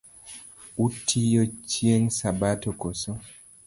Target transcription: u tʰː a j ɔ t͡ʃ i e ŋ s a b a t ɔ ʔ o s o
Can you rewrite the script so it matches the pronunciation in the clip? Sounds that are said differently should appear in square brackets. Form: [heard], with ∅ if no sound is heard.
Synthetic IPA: u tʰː [i] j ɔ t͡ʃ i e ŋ s a b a t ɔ [k] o s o

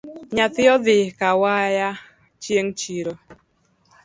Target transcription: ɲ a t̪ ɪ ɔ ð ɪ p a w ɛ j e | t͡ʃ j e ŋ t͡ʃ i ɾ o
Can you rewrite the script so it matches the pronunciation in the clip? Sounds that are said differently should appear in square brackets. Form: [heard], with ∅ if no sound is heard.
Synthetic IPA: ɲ a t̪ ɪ ɔ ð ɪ [k] a w [a] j [a] | t͡ʃ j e ŋ t͡ʃ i ɾ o

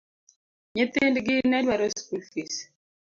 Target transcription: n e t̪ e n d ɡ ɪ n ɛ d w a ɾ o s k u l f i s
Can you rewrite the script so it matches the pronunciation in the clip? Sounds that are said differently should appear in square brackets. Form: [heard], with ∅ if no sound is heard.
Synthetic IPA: [ɲ] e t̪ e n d ɡ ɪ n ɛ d w a ɾ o s k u l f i s

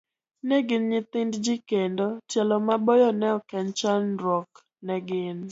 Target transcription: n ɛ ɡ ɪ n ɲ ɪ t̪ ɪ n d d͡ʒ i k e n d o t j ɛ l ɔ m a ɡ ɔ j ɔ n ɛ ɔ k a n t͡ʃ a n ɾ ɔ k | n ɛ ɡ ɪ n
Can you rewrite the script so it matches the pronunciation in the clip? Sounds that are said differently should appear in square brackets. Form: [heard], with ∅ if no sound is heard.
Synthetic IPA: n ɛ ɡ ɪ n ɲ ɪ t̪ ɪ n d d͡ʒ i k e n d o t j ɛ l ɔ m a [b] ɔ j ɔ n ɛ ɔ k [ɛ] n t͡ʃ a n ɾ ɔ k | n ɛ ɡ ɪ n

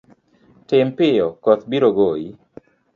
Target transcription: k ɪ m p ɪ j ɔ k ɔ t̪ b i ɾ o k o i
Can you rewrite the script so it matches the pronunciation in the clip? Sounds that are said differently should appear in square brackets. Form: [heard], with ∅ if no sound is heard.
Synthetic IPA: [t] ɪ m p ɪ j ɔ k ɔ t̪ b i ɾ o [ɡ] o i

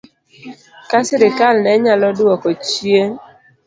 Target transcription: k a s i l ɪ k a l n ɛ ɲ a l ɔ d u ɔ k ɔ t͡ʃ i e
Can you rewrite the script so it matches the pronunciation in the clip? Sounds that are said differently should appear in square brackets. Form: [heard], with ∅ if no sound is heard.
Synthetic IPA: k a s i [ɾ] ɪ k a l n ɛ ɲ a l ɔ d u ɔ k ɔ t͡ʃ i e

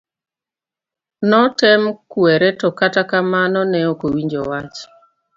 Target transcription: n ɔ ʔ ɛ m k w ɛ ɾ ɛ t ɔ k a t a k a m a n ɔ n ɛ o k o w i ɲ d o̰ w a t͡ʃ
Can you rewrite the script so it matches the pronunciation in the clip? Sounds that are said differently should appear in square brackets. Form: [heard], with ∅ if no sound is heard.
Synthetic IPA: n ɔ [t] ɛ m k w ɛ ɾ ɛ t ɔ k a t a k a m a n ɔ n ɛ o k o w i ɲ [d͡ʒ] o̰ w a t͡ʃ

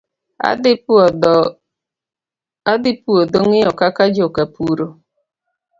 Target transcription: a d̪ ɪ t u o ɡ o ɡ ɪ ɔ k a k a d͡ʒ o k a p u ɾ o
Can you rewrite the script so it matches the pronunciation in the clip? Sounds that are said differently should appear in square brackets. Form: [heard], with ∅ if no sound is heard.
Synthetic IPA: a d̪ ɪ [p] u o [d] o [ŋ] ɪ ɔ k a k a d͡ʒ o k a p u ɾ o

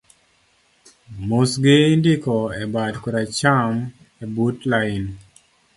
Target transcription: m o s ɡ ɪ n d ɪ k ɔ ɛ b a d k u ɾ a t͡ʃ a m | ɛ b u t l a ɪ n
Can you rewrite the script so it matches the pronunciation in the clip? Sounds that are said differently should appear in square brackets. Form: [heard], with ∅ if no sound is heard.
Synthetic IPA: m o s ɡ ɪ n d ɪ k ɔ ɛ b a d k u ɾ a t͡ʃ a m | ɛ b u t l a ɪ n

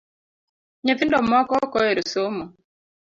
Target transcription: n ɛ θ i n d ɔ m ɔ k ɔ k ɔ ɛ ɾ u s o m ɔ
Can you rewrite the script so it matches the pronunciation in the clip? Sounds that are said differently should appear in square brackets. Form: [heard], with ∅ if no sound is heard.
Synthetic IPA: [ɲ] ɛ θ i n d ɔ m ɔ k ɔ k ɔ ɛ ɾ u s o m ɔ

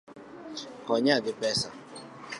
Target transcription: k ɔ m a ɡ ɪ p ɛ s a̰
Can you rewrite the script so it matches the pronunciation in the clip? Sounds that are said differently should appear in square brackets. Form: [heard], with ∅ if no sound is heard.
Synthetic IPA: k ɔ [ɲ] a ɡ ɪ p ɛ s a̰

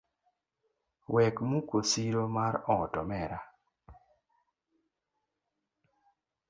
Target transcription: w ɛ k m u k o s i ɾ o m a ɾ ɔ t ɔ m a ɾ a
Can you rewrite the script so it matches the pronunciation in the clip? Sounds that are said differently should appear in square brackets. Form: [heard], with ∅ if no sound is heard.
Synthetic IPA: w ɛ k m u k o s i ɾ o m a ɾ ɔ t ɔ m [ɛ] ɾ a

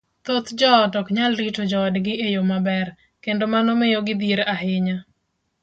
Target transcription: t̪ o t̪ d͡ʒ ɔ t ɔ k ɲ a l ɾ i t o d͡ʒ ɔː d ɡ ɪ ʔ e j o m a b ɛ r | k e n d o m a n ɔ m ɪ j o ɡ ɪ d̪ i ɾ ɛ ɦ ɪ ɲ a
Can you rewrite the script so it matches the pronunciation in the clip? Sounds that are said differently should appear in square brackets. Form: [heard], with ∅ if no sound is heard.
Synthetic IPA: t̪ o t̪ d͡ʒ ɔ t ɔ k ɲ a l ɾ i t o d͡ʒ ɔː d ɡ ɪ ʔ e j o m a b ɛ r | k e n d o m a n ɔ m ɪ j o ɡ ɪ d̪ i ɾ [a] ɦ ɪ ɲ a

